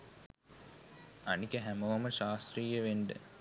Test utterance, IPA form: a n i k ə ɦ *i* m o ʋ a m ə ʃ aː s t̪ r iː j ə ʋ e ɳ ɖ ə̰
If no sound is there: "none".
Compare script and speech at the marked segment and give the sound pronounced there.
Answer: æ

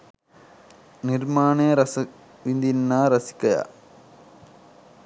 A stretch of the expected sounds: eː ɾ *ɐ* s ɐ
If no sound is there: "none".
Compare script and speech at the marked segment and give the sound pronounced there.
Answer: ɐ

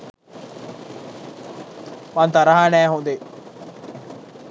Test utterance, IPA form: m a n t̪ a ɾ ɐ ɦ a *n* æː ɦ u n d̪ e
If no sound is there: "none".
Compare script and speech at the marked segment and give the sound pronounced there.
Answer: n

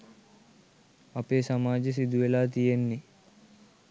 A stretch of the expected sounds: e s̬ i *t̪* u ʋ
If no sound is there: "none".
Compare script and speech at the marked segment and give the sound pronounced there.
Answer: d̪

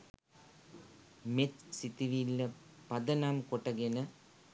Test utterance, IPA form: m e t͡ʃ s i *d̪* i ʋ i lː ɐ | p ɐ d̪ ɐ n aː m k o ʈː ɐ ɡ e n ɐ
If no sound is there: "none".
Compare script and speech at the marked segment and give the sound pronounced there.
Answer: t̪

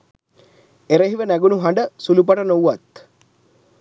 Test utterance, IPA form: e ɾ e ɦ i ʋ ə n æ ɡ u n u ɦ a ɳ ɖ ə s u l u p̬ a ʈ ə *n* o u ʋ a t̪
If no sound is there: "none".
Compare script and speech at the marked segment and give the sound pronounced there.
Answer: n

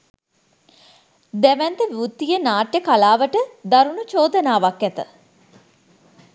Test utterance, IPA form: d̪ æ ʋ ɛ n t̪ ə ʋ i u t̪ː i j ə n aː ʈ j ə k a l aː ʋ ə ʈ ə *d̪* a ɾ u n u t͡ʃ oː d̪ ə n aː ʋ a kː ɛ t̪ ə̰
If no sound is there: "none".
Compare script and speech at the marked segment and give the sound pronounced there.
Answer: d̪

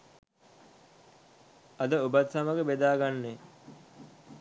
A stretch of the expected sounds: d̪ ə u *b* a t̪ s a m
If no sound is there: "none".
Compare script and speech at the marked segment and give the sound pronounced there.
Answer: b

